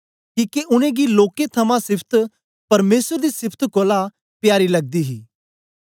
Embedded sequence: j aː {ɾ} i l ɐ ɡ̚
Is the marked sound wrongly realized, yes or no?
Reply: no